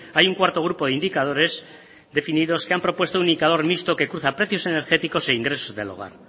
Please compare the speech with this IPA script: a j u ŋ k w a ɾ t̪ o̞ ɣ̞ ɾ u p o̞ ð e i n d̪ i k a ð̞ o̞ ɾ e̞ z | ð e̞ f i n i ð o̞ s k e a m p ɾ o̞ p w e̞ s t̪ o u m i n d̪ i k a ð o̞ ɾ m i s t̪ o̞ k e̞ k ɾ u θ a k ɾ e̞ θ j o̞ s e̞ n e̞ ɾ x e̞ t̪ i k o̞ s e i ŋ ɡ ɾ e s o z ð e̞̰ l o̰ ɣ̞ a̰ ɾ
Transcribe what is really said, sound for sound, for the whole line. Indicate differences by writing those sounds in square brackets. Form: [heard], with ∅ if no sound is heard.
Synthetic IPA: a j u ŋ k w a ɾ t̪ o̞ ɣ̞ ɾ u p o̞ ð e i n d̪ i k a ð̞ o̞ ɾ e̞ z | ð e̞ f i n i ð o̞ s k e a m p ɾ o̞ p w e̞ s t̪ o u [n] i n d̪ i k a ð o̞ ɾ m i s t̪ o̞ k e̞ k ɾ u θ a [p] ɾ e̞ θ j o̞ s e̞ n e̞ ɾ x e̞ t̪ i k o̞ s e i ŋ ɡ ɾ e s o z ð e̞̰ l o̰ ɣ̞ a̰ ɾ